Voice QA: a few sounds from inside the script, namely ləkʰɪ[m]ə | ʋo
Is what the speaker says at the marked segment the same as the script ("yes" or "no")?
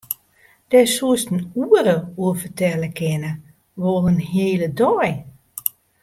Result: no